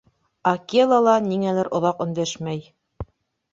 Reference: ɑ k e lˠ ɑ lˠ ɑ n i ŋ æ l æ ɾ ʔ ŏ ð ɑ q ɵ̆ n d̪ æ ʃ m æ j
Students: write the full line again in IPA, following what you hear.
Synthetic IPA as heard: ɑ k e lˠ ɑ lˠ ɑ n i ŋ æ l æ ɾ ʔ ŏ ð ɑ q ɵ̆ n d̪ æ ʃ m æ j